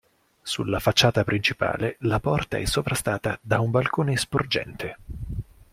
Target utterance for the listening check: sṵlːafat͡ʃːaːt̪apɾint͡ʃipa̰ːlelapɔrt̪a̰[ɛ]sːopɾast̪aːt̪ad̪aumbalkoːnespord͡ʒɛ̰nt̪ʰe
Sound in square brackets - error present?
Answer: no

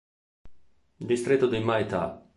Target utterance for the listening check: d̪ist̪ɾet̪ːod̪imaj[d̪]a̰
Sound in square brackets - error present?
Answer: yes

